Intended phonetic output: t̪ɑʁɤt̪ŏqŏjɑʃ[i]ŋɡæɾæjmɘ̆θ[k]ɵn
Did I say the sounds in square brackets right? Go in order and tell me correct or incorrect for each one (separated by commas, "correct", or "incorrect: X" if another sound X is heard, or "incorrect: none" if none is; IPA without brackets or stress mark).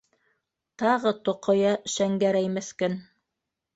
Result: incorrect: æ, correct